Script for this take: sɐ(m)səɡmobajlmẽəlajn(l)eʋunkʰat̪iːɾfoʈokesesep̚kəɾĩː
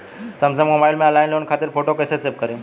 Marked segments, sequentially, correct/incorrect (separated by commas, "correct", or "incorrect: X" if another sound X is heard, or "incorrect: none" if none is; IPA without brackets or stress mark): correct, correct